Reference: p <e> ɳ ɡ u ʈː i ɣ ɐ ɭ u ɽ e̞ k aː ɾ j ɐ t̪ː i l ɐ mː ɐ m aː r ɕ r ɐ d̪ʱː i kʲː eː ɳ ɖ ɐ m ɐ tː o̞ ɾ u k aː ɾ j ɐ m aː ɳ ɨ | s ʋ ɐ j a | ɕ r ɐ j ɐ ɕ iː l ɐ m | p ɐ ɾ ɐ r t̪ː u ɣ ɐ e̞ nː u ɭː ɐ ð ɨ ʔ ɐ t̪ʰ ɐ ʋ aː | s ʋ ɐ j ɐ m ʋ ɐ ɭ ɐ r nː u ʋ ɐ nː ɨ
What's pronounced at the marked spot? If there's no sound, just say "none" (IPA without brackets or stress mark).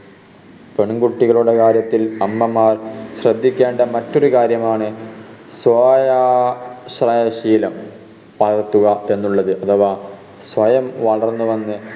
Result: e